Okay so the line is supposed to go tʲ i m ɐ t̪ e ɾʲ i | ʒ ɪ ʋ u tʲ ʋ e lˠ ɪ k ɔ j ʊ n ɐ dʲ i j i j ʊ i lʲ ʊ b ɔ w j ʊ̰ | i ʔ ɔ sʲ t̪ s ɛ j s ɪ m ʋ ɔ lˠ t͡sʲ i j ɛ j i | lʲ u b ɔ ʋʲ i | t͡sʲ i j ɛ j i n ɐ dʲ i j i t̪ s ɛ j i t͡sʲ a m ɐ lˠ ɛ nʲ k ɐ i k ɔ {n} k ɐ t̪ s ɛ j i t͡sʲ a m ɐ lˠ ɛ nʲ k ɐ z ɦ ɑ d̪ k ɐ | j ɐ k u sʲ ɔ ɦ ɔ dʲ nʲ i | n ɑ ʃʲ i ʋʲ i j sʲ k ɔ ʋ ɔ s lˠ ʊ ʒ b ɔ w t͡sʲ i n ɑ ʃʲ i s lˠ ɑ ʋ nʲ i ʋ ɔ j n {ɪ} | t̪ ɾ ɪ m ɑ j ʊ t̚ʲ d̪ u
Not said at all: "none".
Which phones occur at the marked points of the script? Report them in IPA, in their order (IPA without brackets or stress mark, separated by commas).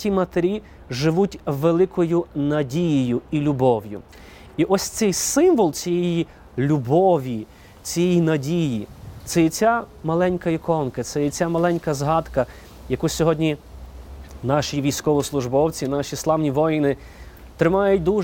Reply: n, ɪ